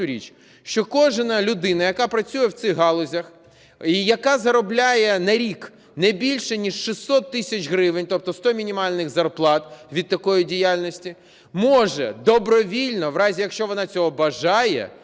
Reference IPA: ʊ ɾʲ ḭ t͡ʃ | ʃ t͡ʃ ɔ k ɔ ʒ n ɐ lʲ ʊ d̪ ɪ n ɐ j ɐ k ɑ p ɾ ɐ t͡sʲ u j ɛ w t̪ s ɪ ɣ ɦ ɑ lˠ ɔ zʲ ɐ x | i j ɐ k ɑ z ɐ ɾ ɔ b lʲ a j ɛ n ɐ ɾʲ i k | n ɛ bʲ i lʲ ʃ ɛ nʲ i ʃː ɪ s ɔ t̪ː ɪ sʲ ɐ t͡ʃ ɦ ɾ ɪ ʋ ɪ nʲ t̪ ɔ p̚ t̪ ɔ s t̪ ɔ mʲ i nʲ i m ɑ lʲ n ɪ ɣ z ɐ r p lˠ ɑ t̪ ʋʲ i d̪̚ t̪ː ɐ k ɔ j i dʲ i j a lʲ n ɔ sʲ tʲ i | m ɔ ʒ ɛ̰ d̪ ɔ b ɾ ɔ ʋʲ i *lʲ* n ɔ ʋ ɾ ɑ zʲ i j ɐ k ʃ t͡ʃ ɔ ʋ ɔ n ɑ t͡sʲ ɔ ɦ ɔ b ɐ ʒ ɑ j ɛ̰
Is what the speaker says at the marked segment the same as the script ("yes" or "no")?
yes